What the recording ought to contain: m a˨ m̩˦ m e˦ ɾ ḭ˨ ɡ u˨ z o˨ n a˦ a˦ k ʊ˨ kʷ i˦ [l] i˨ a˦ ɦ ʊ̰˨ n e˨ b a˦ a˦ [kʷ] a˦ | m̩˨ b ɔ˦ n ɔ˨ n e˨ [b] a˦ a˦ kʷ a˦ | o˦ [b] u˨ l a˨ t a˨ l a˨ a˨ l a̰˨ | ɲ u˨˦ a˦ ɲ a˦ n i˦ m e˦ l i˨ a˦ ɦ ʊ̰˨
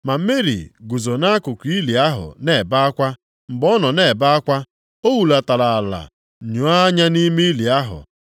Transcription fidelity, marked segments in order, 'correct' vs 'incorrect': correct, correct, correct, incorrect: w

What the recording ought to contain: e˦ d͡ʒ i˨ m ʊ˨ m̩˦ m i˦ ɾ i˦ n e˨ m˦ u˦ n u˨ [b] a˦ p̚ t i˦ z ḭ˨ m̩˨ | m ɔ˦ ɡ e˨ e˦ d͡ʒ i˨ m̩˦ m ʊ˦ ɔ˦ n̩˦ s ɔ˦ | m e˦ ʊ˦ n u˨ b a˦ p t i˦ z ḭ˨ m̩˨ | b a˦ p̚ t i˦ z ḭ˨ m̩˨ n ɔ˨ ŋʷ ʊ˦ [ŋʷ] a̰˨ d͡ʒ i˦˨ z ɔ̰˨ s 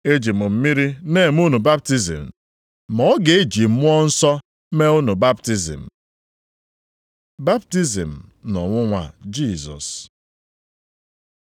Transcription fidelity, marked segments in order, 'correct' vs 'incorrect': correct, correct

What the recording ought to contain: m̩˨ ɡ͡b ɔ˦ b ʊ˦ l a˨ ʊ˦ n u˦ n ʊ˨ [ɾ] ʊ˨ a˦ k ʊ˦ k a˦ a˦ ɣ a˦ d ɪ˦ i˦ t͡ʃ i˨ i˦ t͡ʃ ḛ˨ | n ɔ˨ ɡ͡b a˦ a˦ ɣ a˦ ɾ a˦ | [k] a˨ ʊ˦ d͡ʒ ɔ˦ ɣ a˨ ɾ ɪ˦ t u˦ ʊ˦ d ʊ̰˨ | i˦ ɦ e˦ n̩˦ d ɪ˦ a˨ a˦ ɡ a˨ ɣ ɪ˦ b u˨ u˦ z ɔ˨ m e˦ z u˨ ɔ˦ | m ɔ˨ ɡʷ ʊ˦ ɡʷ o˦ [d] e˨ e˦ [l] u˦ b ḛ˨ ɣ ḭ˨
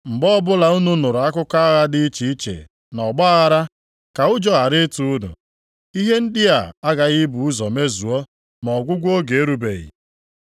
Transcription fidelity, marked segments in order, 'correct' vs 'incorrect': correct, correct, incorrect: ɡ, incorrect: ɾ

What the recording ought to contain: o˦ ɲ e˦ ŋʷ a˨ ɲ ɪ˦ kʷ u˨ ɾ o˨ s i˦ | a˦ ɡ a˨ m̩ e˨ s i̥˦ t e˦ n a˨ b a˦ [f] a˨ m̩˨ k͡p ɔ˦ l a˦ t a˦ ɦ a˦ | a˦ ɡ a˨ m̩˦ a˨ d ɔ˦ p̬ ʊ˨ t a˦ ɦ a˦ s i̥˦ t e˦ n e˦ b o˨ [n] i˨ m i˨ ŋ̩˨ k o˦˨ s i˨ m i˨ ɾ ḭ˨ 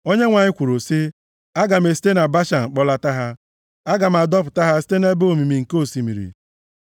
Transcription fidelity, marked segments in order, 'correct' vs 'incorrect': incorrect: ʃ, incorrect: m

